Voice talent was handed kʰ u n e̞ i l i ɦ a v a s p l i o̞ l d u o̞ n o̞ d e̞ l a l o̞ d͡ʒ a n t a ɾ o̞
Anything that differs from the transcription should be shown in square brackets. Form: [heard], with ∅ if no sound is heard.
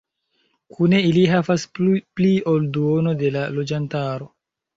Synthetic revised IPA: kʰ u n e̞ i l i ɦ a v a s p l i o̞ l d u o̞ n o̞ d e̞ l a l o̞ d͡ʒ a n t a ɾ o̞